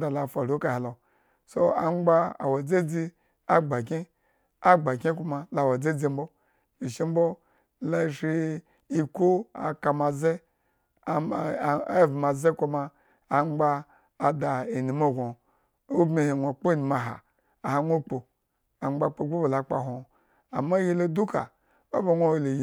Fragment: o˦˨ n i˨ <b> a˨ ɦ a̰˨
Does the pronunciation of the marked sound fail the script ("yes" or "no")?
yes